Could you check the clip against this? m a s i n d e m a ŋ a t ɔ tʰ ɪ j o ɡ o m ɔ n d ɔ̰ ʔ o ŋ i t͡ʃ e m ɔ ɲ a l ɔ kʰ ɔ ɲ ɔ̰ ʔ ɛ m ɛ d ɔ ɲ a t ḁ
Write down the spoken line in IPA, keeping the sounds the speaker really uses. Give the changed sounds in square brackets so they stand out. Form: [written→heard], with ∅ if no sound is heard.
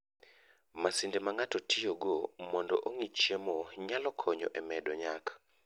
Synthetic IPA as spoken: m a s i n d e m a ŋ a t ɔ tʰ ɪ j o ɡ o m ɔ n d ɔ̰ ʔ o ŋ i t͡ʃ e m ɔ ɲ a l ɔ kʰ ɔ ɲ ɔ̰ ʔ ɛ m ɛ d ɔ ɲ a [t→k] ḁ